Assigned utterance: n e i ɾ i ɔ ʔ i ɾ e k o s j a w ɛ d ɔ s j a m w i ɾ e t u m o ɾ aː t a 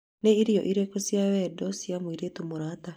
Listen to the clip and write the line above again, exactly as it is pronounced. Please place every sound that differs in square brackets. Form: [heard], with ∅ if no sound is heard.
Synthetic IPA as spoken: n e i ɾ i ɔ ʔ i ɾ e k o s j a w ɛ d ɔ s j a m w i ɾ e t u m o ɾ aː t a